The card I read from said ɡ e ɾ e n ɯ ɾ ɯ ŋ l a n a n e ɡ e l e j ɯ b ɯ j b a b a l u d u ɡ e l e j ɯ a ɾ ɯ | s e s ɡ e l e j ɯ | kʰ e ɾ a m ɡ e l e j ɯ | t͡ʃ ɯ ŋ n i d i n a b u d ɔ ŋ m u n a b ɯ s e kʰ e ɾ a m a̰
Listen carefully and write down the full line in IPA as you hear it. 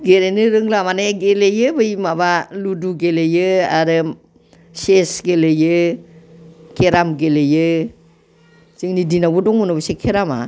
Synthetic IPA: ɡ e ɾ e n ɯ ɾ ɯ ŋ l a m a n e ɡ e l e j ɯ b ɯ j m a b a l u d u ɡ e l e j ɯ a ɾ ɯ | s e s ɡ e l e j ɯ | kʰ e ɾ a m ɡ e l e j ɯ | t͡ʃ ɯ ŋ n i d i n a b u d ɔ ŋ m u n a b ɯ s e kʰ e ɾ a m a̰